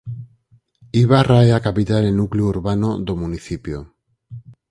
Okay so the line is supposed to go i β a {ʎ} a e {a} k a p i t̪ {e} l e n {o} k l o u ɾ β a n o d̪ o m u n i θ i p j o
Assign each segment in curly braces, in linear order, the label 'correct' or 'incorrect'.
incorrect: r, correct, incorrect: a, incorrect: u

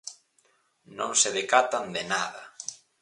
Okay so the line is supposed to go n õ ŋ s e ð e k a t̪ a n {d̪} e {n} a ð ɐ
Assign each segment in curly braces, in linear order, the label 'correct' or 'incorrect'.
correct, correct

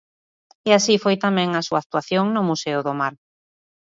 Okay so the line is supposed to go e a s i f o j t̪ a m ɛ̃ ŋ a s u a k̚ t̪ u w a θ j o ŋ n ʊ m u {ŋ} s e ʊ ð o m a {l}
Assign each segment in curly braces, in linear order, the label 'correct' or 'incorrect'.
incorrect: none, incorrect: ɾ

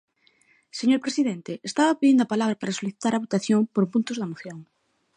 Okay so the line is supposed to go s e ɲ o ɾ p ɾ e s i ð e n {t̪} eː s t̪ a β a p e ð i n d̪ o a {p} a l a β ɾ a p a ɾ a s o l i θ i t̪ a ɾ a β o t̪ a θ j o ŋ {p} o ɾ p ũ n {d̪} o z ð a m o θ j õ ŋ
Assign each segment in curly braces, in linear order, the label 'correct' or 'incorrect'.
correct, correct, correct, incorrect: t̪

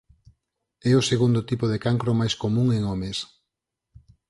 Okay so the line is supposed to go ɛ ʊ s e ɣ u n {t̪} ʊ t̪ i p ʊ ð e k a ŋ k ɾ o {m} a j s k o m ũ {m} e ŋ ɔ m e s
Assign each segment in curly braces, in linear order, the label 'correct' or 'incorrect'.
incorrect: d̪, correct, incorrect: ŋ

